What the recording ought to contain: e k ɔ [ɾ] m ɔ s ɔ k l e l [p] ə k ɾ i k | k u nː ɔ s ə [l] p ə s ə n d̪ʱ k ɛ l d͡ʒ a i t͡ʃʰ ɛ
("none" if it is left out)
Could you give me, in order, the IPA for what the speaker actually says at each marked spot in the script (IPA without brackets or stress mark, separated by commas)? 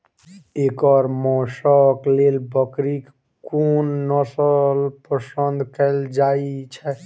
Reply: ɾ, b, l